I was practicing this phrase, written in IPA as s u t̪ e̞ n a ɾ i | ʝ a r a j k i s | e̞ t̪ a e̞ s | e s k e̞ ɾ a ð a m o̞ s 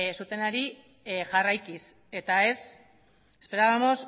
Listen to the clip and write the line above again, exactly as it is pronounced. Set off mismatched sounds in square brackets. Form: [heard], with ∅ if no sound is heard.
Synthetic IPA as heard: s u t̪ e̞ n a ɾ i | ʝ a r a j k i s | e̞ t̪ a e̞ s | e s [p] e̞ ɾ a ð a m o̞ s